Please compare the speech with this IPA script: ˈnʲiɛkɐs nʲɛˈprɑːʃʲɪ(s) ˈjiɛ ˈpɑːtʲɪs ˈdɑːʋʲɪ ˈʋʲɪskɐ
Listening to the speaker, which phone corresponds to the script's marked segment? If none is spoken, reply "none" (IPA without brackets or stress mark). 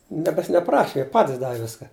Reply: none